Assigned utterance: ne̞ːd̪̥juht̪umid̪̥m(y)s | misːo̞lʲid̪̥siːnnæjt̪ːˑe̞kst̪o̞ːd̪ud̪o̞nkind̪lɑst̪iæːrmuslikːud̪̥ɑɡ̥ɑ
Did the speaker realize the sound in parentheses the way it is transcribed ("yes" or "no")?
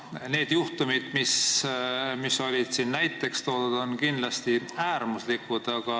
no